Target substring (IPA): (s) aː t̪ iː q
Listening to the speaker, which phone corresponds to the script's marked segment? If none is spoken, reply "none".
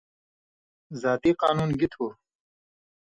z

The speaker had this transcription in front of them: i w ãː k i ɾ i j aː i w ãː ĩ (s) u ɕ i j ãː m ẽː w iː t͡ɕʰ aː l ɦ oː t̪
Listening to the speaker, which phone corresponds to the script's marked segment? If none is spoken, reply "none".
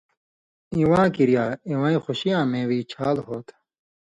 x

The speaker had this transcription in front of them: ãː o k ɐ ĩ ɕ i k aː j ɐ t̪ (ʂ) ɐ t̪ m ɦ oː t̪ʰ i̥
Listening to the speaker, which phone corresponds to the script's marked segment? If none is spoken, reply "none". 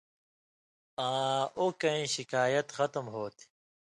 x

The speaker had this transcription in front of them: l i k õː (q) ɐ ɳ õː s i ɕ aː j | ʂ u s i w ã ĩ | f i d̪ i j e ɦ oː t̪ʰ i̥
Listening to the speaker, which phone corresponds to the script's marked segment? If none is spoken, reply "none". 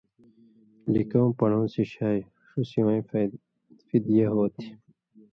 p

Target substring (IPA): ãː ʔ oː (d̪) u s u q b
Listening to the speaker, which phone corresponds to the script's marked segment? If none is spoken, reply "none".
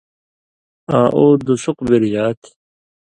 d̪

